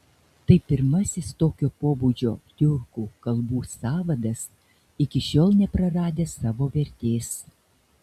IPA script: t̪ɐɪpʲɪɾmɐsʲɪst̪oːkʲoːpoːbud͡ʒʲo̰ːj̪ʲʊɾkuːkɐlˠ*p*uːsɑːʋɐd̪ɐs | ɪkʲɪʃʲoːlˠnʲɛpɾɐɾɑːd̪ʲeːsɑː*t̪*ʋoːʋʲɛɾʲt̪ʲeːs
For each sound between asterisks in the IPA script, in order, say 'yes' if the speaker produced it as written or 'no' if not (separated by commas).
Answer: no, no